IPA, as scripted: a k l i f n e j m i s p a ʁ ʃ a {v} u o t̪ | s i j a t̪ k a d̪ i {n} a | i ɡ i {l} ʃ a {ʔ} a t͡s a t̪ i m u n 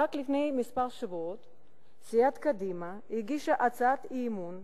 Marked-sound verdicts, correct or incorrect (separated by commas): correct, incorrect, incorrect, correct